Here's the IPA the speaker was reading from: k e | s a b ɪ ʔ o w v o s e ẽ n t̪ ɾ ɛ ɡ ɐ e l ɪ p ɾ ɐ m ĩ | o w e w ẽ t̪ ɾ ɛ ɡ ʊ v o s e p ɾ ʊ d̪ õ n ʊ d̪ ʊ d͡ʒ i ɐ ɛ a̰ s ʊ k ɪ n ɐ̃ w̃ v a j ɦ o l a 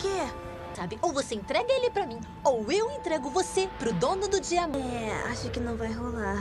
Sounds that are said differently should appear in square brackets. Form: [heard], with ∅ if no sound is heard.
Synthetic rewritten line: k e | s a b ɪ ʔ o w v o s e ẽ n t̪ ɾ ɛ ɡ ɐ e l ɪ p ɾ ɐ m ĩ | o w e w ẽ t̪ ɾ ɛ ɡ ʊ v o s e p ɾ ʊ d̪ õ n ʊ d̪ ʊ d͡ʒ i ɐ ɛ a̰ [ʃ] ʊ k ɪ n ɐ̃ w̃ v a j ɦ o l a

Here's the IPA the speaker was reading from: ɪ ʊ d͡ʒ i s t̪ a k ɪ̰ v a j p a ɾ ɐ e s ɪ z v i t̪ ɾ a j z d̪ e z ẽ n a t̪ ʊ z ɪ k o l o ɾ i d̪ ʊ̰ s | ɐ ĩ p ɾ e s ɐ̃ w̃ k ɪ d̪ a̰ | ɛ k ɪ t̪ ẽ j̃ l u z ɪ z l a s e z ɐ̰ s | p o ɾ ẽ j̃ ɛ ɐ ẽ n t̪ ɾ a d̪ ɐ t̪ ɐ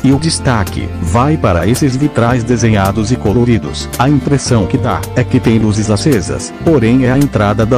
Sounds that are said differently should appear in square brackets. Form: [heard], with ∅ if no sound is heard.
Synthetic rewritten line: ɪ ʊ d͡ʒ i s t̪ a k ɪ̰ v a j p a ɾ ɐ e s ɪ z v i t̪ ɾ a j z d̪ e z ẽ [ɲ] a [d̪] ʊ z ɪ k o l o ɾ i d̪ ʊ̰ s | ɐ ĩ p ɾ e s ɐ̃ w̃ k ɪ d̪ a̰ | ɛ k ɪ t̪ ẽ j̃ l u z ɪ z l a s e z ɐ̰ s | p o ɾ ẽ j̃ ɛ ɐ ẽ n t̪ ɾ a d̪ ɐ [d̪] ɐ

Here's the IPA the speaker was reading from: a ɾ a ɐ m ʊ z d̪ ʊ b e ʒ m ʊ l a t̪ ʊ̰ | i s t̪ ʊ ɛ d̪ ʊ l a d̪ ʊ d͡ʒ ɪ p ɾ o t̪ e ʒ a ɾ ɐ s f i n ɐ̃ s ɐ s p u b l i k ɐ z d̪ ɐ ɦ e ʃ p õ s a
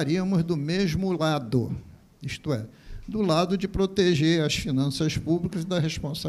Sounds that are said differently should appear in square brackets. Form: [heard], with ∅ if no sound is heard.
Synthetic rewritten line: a ɾ [i] ɐ m ʊ z d̪ ʊ [m] e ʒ m ʊ l a [d̪] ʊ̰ | i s t̪ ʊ ɛ d̪ ʊ l a d̪ ʊ d͡ʒ ɪ p ɾ o t̪ e ʒ [e] ɾ ɐ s f i n ɐ̃ s ɐ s p u b l i k ɐ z d̪ ɐ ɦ e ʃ p õ s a

